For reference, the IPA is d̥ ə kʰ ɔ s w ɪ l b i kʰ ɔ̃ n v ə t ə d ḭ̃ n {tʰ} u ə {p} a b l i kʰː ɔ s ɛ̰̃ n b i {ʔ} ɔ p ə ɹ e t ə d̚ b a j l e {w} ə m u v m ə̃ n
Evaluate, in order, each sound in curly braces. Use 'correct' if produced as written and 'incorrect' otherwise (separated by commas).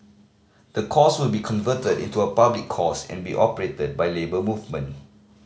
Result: incorrect, correct, correct, incorrect